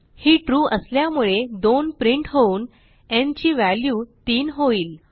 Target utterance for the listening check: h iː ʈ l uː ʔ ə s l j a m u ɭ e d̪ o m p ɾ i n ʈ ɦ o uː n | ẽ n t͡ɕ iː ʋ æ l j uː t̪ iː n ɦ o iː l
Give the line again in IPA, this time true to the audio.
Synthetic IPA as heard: h iː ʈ ɾ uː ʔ ə s l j a m u ɭ e d̪ o n p ɾ i ɳ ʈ ɦ o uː n | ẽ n t͡ɕ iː ʋ æ l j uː t̪ iː n ɦ o iː l